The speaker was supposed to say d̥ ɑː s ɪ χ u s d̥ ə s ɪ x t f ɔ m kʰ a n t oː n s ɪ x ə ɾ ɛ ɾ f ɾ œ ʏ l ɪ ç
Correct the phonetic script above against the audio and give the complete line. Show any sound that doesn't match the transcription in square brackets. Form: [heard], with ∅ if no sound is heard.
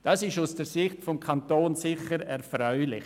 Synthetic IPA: d̥ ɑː s ɪ [ʃ] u s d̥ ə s ɪ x t f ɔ m kʰ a n t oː n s ɪ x ə ɾ ɛ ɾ f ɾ œ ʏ l ɪ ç